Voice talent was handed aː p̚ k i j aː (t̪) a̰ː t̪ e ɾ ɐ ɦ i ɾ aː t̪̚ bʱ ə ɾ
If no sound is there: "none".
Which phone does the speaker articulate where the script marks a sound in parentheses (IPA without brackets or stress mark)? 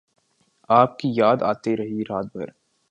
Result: d̪